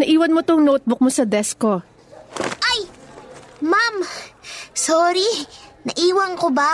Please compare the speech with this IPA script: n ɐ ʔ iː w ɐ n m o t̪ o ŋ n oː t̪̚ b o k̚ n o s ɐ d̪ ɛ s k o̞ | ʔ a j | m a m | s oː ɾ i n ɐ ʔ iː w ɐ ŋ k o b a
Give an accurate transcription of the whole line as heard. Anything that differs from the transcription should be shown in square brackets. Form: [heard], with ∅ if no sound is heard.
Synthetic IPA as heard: n ɐ ʔ iː w ɐ n m o t̪ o ŋ n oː t̪̚ b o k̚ [m] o s ɐ d̪ ɛ s k o̞ | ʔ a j | m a m | s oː ɾ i n ɐ ʔ iː w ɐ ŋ k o b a